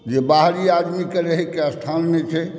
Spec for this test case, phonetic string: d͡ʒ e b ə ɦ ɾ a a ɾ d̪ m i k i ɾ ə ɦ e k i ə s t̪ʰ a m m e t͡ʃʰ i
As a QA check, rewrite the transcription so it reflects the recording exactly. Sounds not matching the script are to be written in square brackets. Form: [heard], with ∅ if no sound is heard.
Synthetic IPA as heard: d͡ʒ e b [a] ɦ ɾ [i] a [∅] d̪ m i k [e] ɾ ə ɦ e k [e] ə s t̪ʰ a [n] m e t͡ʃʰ [ɛ]